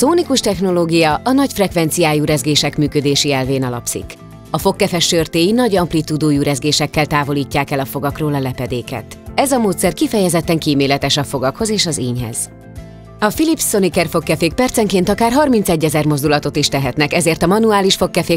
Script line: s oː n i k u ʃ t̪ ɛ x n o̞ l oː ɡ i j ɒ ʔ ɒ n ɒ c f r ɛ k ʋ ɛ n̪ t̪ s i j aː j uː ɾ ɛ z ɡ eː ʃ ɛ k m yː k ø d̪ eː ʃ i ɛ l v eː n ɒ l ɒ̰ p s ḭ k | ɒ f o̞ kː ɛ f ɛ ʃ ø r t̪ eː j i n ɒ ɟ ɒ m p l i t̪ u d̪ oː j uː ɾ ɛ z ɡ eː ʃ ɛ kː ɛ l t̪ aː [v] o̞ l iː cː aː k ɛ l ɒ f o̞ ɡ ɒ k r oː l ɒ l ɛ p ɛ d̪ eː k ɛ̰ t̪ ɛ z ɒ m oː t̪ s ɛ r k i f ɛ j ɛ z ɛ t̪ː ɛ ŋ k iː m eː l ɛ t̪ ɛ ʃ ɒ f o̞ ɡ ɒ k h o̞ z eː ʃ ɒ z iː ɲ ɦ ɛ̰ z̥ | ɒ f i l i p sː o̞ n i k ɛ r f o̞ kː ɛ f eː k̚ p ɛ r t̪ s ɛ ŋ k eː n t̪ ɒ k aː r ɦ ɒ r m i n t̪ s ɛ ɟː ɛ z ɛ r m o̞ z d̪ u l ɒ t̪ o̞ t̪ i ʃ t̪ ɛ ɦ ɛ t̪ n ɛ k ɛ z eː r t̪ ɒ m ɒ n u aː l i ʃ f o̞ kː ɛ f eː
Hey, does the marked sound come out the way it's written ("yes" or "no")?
yes